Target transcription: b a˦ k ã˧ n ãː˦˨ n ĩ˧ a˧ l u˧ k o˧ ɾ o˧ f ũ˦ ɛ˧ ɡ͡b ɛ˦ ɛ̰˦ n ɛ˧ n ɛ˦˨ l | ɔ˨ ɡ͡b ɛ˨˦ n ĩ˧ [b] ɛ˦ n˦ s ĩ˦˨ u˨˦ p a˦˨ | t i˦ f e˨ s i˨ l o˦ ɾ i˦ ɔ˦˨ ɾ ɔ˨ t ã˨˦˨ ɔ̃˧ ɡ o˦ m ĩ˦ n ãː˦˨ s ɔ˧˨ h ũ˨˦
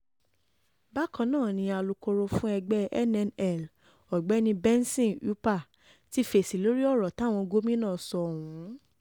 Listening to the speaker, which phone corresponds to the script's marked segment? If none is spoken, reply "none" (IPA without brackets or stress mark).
b